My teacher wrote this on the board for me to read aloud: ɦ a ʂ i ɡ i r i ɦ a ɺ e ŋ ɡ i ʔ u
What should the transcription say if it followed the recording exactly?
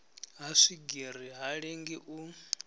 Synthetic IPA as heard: ɦ a ʂ i ɡ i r i ɦ a ɺ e ŋ ɡ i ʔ u